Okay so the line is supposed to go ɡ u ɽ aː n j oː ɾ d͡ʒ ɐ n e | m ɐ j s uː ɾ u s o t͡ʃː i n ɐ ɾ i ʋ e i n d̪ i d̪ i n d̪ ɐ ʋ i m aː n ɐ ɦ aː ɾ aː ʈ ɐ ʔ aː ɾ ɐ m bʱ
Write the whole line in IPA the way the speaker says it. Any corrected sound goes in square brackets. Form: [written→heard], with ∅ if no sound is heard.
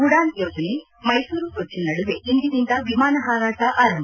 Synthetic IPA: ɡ u ɽ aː n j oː [ɾ→∅] d͡ʒ ɐ n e | m ɐ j s uː ɾ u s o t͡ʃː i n ɐ [ɾ→ɽ] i ʋ e i n d̪ i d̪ i n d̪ ɐ ʋ i m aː n ɐ ɦ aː ɾ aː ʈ ɐ ʔ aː ɾ ɐ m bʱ